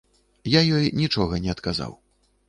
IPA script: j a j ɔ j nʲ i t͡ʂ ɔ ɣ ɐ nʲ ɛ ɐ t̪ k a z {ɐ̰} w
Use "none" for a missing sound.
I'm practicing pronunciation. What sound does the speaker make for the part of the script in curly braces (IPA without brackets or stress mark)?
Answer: a̰